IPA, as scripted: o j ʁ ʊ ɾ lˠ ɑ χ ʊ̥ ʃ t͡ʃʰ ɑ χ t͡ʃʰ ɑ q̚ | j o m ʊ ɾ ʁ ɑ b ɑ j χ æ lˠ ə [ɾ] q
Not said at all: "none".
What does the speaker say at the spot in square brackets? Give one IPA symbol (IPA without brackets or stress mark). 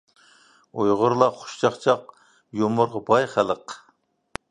none